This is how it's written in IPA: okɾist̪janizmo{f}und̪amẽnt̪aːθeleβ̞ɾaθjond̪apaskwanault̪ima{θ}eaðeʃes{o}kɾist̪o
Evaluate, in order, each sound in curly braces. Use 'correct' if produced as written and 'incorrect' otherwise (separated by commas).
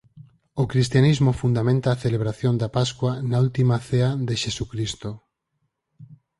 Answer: correct, correct, incorrect